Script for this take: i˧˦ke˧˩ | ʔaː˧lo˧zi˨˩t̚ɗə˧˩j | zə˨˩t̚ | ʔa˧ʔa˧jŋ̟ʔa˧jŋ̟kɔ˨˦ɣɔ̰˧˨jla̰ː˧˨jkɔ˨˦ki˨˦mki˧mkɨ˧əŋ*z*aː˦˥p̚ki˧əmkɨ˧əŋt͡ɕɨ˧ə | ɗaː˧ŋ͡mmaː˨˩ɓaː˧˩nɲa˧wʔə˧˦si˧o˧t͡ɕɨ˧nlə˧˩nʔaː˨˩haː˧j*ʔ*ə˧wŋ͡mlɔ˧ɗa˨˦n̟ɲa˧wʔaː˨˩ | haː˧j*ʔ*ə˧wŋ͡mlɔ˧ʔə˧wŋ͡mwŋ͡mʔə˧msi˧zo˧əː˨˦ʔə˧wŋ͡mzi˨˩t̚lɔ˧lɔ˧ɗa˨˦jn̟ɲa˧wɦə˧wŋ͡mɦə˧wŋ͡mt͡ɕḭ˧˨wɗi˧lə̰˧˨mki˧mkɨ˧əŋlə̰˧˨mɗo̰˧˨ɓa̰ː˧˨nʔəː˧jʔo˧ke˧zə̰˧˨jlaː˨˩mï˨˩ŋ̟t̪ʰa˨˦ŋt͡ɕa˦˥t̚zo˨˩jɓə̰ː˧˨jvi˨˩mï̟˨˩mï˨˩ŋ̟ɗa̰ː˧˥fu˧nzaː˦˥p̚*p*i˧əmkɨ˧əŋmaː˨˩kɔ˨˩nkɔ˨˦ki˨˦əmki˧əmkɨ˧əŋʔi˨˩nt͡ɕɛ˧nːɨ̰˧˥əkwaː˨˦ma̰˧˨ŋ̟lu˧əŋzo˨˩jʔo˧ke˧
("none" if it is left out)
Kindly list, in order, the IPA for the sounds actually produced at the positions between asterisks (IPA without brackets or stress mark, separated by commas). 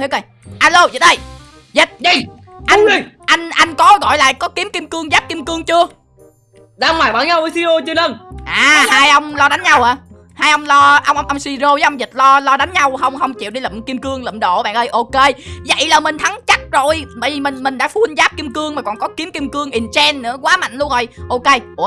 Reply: z, ʔ, ʔ, k